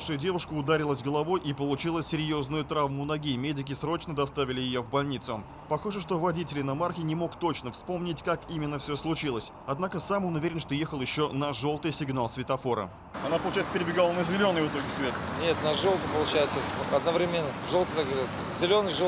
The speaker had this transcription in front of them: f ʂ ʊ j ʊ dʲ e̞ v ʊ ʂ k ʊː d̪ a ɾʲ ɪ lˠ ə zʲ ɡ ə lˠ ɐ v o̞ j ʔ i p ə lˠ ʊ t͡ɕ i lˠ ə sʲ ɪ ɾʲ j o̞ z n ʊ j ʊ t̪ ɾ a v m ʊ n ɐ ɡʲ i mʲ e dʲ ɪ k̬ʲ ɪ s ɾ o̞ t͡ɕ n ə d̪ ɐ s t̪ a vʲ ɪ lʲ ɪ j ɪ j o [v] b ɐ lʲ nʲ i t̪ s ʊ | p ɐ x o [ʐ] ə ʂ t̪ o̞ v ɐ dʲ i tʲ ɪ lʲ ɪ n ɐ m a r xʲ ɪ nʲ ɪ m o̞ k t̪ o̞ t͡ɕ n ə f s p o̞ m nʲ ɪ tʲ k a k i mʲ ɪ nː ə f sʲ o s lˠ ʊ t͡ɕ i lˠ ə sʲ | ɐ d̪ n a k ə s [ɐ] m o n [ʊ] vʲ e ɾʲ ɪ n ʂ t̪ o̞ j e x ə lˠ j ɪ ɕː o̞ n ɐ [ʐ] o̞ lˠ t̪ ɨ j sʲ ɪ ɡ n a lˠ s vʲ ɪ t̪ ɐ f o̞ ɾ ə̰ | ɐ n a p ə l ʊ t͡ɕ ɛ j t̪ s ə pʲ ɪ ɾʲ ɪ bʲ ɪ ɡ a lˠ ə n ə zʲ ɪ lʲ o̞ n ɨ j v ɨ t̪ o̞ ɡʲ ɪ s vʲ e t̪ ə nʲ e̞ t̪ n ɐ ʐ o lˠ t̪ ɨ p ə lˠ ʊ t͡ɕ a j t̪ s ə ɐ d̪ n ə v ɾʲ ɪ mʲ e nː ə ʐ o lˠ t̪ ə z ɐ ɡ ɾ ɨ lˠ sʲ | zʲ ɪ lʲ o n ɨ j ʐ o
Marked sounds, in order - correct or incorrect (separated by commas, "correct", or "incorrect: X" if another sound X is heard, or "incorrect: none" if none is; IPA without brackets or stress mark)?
correct, correct, incorrect: a, correct, correct